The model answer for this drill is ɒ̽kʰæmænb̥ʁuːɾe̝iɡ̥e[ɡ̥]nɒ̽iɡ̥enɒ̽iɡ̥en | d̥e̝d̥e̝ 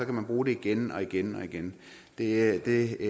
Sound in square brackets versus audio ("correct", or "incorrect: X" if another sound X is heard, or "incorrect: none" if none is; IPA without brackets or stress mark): incorrect: none